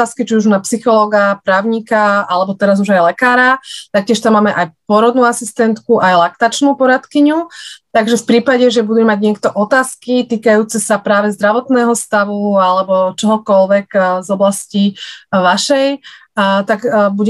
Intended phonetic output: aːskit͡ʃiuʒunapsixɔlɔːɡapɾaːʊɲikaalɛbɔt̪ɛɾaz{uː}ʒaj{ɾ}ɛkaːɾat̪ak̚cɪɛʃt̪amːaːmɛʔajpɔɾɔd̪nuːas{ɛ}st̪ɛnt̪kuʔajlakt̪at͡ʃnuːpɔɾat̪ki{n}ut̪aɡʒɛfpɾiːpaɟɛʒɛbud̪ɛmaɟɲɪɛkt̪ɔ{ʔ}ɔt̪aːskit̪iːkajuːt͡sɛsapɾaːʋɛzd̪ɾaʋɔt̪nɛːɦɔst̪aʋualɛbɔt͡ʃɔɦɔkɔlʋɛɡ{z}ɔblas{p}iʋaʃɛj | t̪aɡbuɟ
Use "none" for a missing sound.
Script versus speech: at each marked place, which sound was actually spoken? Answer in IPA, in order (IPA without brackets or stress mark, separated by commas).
u, l, i, ɲ, ʔ, z, c